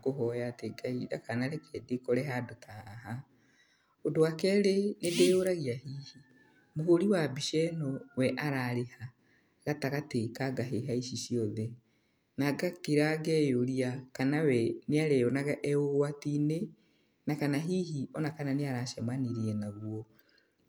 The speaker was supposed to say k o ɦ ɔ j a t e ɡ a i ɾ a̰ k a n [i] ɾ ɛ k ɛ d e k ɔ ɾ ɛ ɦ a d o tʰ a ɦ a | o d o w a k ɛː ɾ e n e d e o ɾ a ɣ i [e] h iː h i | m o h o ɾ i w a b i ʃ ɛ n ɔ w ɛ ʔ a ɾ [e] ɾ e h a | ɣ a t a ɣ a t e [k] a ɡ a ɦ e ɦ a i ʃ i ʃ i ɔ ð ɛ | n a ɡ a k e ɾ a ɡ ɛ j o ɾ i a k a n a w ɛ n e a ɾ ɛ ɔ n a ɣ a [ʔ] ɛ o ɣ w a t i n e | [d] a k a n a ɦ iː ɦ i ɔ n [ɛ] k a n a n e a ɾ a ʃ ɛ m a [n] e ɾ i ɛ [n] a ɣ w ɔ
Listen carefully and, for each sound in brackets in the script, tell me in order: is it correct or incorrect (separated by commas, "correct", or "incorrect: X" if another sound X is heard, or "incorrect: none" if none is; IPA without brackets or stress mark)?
incorrect: a, incorrect: a, incorrect: a, correct, correct, incorrect: n, incorrect: a, correct, correct